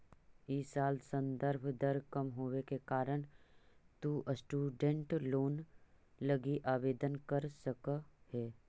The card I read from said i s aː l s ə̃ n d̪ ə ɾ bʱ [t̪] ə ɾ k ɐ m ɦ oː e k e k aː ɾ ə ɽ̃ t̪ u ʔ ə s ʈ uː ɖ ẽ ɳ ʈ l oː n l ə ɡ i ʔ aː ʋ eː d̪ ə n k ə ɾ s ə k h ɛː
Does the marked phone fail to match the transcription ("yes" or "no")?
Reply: yes